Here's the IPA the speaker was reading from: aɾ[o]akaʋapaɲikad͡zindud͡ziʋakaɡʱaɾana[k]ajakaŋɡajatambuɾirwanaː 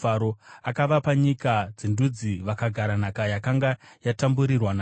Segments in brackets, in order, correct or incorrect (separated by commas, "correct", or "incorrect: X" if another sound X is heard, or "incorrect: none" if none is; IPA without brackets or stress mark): correct, correct